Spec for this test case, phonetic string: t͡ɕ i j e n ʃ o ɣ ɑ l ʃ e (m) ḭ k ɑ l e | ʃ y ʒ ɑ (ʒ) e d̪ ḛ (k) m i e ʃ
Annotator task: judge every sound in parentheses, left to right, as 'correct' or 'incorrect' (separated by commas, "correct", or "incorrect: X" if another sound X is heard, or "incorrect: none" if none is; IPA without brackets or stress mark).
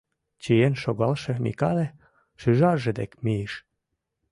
correct, correct, correct